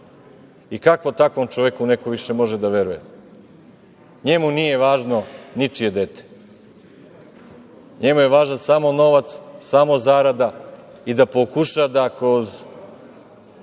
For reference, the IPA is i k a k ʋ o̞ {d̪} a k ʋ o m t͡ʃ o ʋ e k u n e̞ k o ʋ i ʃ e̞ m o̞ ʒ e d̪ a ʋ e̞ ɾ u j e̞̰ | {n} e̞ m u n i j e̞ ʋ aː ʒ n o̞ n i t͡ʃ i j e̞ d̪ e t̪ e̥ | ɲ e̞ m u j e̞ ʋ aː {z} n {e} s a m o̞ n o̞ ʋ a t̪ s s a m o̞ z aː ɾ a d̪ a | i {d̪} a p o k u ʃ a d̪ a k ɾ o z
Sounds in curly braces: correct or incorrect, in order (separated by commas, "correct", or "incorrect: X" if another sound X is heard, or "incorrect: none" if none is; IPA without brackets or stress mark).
incorrect: t̪, incorrect: ɲ, incorrect: ʒ, incorrect: a, correct